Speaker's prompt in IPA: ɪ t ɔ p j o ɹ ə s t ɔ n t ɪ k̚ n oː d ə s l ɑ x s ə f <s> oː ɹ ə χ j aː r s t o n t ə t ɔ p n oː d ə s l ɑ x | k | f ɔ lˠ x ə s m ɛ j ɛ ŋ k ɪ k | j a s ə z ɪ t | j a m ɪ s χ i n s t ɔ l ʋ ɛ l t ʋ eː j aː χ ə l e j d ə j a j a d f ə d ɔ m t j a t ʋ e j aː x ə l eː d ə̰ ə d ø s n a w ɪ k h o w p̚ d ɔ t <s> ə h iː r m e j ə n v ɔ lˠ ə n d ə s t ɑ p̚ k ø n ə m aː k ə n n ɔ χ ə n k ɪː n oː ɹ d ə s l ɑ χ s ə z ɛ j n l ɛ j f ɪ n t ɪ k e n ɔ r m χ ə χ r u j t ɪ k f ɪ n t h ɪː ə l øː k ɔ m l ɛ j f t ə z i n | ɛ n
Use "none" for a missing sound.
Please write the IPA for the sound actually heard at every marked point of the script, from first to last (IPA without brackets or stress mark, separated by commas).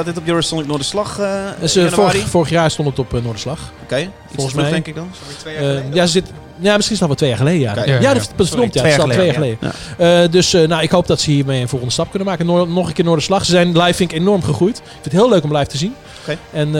f, s